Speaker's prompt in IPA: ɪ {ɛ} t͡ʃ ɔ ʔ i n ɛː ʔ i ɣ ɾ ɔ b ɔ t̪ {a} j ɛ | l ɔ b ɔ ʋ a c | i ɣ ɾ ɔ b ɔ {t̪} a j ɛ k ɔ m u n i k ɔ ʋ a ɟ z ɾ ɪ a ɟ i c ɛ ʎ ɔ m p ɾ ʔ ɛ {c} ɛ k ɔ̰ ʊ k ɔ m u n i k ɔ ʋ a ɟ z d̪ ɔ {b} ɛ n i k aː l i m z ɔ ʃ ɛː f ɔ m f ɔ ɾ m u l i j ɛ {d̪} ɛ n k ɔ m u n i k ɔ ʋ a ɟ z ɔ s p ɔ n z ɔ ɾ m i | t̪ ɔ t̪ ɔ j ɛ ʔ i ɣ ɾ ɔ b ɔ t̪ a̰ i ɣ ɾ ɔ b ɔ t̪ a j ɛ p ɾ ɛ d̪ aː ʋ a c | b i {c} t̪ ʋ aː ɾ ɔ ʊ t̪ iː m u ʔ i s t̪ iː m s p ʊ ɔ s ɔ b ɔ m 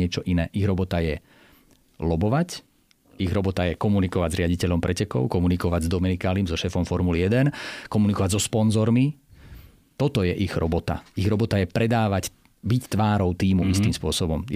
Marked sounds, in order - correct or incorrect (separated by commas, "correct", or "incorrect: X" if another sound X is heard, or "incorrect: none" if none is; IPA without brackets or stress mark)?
correct, correct, correct, correct, incorrect: m, correct, correct